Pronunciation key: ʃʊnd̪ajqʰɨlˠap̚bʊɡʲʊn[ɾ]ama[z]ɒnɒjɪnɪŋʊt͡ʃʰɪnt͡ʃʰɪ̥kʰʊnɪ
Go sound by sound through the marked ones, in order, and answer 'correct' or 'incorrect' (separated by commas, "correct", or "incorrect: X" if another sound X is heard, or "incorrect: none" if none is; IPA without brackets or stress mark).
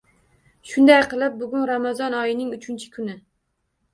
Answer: correct, correct